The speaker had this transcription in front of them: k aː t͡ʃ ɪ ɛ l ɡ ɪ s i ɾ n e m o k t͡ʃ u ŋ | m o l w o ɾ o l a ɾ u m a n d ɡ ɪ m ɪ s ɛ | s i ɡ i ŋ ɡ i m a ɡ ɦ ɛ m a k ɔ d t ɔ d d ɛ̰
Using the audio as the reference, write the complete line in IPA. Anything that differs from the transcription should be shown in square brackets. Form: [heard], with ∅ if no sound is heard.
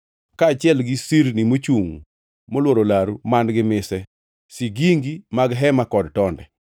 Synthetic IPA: k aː t͡ʃ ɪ ɛ l ɡ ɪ s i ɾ n [i] m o [∅] t͡ʃ u ŋ | m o l w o ɾ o l a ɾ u m a n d ɡ ɪ m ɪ s ɛ | s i ɡ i ŋ ɡ i m a ɡ ɦ ɛ m a k ɔ d t ɔ [n] d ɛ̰